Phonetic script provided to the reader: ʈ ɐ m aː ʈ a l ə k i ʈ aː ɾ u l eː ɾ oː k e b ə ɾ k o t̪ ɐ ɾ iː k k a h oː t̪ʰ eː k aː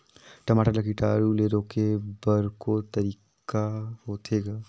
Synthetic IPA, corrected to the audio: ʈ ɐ m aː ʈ a l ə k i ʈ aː ɾ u l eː ɾ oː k e b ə ɾ k o t̪ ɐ ɾ iː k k a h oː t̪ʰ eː ɡ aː